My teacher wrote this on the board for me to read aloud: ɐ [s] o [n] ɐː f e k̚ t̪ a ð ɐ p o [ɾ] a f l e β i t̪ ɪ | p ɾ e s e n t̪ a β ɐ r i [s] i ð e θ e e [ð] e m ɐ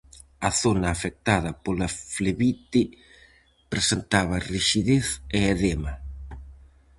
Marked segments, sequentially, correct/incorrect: incorrect, correct, incorrect, incorrect, correct

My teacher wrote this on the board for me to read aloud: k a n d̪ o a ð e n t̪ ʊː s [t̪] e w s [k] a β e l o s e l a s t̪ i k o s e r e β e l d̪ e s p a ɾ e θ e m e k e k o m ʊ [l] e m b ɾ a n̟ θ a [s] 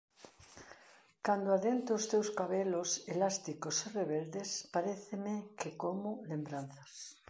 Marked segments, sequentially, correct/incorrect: correct, correct, correct, correct

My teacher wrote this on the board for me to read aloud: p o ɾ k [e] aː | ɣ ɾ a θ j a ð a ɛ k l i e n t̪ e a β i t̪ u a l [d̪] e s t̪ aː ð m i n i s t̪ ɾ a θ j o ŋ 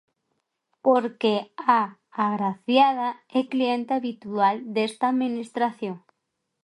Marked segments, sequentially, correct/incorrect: correct, correct

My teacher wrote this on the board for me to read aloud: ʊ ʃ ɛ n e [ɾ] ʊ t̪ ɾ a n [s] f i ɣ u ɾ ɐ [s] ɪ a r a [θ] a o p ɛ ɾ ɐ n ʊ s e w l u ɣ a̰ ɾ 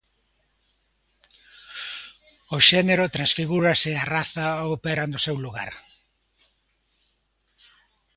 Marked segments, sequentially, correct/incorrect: correct, correct, correct, correct

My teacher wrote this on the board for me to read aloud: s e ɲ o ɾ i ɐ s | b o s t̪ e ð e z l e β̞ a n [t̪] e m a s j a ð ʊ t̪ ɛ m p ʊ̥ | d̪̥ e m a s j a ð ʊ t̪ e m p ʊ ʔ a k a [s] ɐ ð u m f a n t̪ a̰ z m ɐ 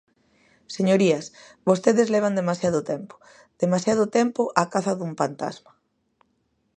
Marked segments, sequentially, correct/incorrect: incorrect, incorrect

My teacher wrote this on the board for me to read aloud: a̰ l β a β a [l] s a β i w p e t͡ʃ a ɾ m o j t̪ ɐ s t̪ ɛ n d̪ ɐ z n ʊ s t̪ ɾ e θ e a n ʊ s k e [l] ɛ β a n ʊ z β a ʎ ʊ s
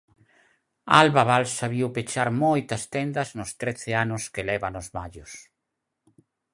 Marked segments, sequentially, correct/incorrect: correct, correct

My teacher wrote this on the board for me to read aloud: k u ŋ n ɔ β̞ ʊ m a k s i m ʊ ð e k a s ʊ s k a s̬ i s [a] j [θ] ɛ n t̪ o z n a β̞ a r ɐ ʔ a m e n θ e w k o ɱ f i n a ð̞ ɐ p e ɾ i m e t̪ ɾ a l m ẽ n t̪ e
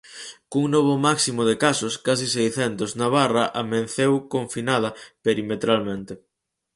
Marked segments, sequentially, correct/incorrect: incorrect, correct

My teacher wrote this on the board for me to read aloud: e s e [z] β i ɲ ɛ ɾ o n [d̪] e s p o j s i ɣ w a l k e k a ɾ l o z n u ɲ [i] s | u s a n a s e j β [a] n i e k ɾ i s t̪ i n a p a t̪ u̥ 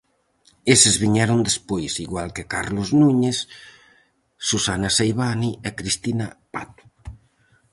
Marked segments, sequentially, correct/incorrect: correct, correct, incorrect, correct

